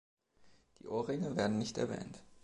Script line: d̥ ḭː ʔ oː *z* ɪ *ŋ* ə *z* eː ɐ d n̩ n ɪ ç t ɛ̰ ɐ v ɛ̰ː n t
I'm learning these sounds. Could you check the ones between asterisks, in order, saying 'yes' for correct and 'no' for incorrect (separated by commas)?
no, yes, no